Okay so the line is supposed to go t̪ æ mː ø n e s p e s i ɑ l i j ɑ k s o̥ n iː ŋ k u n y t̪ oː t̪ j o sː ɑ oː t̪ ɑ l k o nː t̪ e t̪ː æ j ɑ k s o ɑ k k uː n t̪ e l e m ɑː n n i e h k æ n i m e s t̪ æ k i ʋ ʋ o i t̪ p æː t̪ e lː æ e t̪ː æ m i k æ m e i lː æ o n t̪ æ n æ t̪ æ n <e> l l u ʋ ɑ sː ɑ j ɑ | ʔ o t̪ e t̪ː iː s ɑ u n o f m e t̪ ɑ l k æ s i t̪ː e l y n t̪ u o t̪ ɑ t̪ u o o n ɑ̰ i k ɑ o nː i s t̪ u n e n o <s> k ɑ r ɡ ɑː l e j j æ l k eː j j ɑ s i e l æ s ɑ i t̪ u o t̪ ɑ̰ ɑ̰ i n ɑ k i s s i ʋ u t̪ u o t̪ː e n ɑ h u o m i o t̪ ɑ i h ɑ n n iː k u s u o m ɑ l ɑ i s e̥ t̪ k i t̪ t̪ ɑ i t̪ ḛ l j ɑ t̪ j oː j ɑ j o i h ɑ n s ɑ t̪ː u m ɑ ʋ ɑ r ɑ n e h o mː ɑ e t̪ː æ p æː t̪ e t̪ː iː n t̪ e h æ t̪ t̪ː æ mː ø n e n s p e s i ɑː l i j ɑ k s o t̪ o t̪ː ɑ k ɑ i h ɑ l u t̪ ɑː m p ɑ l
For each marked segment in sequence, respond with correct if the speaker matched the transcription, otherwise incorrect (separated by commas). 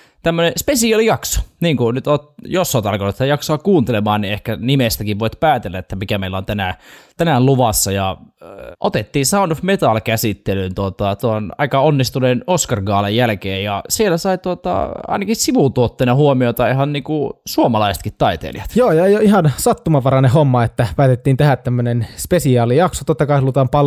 incorrect, correct